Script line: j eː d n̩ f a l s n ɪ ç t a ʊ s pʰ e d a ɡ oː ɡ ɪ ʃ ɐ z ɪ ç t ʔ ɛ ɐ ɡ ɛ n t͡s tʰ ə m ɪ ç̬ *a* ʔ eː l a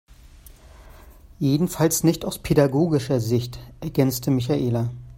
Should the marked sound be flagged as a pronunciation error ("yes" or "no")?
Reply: no